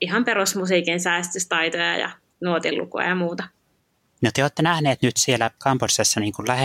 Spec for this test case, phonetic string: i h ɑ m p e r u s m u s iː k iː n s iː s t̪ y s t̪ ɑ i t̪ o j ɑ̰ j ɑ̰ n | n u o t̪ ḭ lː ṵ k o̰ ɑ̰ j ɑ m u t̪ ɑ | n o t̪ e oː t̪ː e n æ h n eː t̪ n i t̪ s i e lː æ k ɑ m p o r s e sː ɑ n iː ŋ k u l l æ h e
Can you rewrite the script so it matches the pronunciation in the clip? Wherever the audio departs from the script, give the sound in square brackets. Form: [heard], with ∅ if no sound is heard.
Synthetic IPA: i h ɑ m p e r u s m u s iː k [i] n s [æː] s t̪ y s t̪ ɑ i t̪ o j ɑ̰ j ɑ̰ [∅] | n u o t̪ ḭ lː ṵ k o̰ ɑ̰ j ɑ m [uː] t̪ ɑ | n o t̪ e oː t̪ː e n æ h n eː t̪ n [y] t̪ s i e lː æ k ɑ m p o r s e sː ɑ n iː ŋ k u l l æ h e